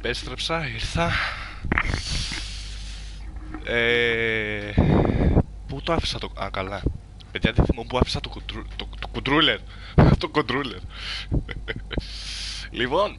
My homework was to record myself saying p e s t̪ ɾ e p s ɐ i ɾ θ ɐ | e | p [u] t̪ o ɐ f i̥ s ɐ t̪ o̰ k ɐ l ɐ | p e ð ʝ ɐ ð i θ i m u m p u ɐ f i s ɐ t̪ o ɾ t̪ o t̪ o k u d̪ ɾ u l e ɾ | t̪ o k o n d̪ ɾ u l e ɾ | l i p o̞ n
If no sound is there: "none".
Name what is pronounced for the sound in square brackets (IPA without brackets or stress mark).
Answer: u